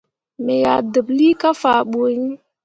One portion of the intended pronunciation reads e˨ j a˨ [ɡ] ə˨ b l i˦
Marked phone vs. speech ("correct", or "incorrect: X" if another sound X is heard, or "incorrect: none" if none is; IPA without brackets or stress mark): incorrect: d